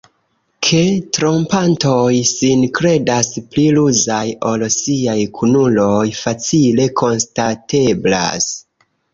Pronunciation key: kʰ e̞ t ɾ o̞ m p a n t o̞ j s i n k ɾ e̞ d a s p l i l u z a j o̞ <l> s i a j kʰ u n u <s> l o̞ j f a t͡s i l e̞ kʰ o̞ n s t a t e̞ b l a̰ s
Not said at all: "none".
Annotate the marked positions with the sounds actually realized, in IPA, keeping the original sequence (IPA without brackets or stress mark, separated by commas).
l, none